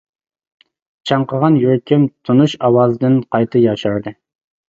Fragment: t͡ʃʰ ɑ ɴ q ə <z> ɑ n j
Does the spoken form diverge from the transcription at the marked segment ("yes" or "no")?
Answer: yes